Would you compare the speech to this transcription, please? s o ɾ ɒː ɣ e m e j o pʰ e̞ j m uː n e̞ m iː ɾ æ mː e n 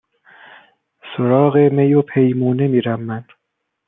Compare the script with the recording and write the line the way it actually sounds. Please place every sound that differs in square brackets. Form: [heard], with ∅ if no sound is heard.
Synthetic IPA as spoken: s o ɾ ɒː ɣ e m e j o pʰ e̞ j m uː n e̞ m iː ɾ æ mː [æ] n

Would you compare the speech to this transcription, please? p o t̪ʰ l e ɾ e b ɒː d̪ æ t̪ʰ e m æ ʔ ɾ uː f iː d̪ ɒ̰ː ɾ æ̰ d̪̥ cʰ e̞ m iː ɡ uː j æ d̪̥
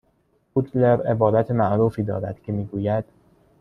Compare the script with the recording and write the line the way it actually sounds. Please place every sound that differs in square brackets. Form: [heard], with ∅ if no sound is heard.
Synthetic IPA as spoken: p [u] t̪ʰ l e ɾ e b ɒː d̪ æ t̪ʰ e m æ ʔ ɾ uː f iː d̪ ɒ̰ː ɾ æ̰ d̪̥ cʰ e̞ m iː ɡ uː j æ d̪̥

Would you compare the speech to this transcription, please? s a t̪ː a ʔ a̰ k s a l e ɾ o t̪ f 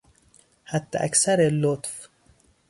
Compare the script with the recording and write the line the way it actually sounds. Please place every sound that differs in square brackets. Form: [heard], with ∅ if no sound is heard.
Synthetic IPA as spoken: [h] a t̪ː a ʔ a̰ k s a [ɾ] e [l] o t̪ f

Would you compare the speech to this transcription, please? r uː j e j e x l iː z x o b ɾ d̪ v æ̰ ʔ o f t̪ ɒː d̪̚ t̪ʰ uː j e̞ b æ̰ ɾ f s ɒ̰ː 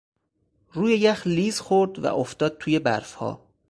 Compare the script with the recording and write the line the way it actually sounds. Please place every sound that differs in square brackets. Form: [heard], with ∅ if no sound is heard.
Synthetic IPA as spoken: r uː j e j [æ] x l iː z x o [∅] ɾ d̪ v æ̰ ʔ o f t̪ ɒː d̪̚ t̪ʰ uː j e̞ b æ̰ ɾ f [h] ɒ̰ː

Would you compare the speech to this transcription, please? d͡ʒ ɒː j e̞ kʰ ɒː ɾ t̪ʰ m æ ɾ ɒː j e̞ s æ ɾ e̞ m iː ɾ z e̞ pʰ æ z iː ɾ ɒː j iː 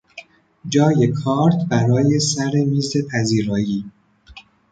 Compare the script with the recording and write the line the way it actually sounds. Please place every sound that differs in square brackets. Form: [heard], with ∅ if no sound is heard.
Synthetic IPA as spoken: d͡ʒ ɒː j e̞ kʰ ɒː ɾ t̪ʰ [b] æ ɾ ɒː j e̞ s æ ɾ e̞ m iː [∅] z e̞ pʰ æ z iː ɾ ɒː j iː

